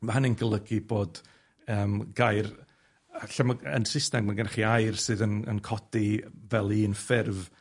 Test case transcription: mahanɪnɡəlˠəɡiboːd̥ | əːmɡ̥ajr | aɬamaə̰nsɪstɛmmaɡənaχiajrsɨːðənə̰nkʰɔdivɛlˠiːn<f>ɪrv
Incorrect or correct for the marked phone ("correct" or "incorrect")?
correct